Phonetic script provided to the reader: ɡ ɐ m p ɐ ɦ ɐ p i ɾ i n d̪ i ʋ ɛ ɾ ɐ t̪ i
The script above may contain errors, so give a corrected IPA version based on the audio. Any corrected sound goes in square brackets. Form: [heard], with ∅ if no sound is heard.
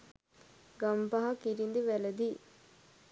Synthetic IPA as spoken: ɡ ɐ m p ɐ ɦ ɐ [k] i ɾ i n d̪ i ʋ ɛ [l] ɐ [d̪] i